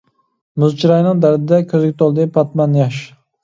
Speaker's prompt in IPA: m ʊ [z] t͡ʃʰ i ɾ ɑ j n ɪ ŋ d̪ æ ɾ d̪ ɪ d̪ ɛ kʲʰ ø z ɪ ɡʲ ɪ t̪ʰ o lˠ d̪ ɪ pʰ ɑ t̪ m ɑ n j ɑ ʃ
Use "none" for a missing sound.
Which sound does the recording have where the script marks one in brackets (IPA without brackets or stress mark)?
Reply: z